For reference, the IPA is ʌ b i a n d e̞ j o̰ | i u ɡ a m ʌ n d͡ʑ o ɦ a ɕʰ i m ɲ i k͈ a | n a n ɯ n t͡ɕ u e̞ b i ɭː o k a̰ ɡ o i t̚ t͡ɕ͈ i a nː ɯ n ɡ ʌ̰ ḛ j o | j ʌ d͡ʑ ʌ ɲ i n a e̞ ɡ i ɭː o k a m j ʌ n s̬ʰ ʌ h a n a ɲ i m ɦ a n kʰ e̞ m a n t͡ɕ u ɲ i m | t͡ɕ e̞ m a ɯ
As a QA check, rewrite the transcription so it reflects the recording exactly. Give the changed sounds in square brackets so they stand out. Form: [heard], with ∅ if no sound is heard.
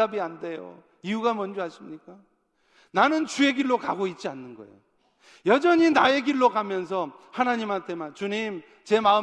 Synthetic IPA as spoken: [a] b i a n d e̞ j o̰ | i u ɡ a m ʌ n d͡ʑ o ɦ a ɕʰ i m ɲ i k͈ a | n a n ɯ n t͡ɕ u e̞ [ɡ] i ɭː o k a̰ ɡ o i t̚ t͡ɕ͈ i a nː ɯ n ɡ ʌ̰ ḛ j o | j ʌ d͡ʑ ʌ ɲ i n a e̞ ɡ i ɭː o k a m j ʌ n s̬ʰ ʌ h a n a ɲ i m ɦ a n [tʰ] e̞ m a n t͡ɕ u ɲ i m | t͡ɕ e̞ m a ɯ